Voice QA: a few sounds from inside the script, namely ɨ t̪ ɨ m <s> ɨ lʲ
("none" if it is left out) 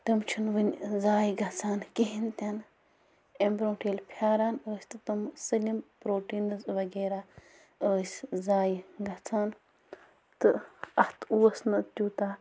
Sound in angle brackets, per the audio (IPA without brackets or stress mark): s